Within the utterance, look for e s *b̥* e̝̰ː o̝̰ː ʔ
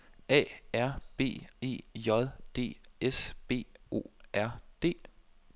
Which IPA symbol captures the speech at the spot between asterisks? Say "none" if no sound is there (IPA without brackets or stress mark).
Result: b̥